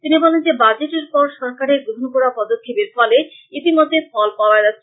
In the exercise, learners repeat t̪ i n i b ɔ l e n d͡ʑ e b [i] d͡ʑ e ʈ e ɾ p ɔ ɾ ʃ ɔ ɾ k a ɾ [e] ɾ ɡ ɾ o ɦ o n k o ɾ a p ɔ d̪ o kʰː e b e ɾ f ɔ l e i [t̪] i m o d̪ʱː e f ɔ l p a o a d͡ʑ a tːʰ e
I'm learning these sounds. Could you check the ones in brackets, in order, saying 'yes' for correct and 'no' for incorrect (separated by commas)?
no, yes, yes